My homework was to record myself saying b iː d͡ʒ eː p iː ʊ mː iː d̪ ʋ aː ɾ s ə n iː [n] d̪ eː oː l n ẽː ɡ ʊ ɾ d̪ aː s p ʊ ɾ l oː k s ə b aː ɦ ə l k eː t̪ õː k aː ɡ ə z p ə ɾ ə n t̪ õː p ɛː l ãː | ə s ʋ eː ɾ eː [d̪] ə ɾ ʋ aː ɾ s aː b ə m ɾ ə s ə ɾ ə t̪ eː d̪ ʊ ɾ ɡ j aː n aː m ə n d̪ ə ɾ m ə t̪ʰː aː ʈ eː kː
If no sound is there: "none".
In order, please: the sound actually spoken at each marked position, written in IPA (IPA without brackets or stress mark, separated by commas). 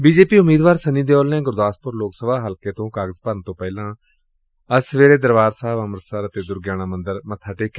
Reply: none, d̪